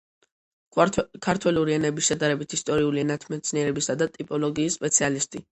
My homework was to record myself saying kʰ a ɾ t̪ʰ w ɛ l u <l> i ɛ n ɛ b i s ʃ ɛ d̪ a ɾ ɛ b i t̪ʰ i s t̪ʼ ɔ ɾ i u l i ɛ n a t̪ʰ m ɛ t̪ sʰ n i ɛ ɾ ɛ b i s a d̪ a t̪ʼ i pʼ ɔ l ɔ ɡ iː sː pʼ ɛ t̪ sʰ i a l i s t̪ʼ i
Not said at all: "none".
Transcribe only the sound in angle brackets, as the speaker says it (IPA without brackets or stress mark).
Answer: ɾ